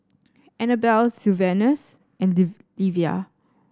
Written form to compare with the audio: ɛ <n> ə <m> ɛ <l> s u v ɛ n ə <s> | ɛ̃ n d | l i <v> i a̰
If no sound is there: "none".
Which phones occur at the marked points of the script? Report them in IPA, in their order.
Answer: n, b, l, s, v

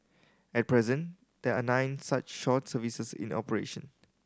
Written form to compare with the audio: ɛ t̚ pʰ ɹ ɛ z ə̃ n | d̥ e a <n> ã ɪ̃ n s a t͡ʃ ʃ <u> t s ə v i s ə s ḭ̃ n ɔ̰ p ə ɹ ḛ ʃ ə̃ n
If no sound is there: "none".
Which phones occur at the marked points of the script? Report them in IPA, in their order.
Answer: n, ɔ

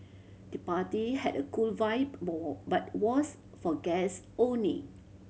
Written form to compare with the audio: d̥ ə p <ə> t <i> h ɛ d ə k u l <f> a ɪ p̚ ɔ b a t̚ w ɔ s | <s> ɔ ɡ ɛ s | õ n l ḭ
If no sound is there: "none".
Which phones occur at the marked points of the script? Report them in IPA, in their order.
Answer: a, i, v, f

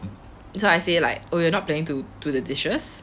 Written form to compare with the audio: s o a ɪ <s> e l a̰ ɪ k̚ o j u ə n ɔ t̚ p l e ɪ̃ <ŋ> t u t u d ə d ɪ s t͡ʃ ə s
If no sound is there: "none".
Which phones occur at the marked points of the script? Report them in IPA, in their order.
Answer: s, ŋ

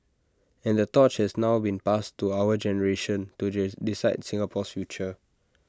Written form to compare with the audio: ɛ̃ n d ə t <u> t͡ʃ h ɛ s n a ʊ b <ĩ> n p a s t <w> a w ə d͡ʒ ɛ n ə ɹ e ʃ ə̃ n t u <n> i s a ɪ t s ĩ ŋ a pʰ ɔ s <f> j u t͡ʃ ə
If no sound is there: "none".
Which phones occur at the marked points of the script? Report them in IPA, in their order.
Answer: ɔ, ĩ, u, d, f

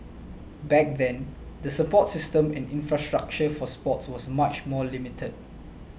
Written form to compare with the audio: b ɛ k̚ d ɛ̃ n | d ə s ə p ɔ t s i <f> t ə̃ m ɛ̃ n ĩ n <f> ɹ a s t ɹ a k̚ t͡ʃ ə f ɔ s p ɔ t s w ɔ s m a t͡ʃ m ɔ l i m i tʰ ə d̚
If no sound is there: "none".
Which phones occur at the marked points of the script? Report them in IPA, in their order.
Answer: s, f

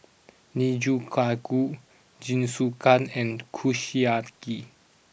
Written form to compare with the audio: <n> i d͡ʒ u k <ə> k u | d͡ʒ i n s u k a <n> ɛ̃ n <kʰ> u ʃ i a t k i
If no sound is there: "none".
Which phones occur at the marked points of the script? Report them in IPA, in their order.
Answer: n, a, n, kʰ

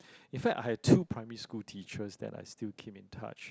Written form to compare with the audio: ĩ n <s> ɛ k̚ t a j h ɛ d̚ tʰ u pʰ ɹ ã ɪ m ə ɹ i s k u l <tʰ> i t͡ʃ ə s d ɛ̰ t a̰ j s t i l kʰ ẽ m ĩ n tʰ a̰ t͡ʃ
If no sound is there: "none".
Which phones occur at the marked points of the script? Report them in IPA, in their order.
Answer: f, tʰ

